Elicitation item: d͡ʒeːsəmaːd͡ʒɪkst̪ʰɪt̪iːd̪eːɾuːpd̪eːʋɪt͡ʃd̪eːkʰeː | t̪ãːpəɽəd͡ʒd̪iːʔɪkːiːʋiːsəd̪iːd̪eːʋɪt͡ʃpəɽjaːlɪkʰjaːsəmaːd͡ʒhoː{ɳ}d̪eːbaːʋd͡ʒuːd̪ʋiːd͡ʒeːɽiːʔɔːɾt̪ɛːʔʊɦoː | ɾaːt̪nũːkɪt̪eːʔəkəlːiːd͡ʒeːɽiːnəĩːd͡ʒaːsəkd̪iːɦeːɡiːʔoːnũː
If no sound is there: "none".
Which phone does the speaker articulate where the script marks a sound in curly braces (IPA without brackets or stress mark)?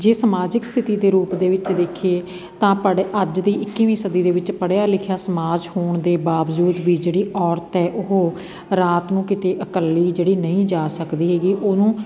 ɳ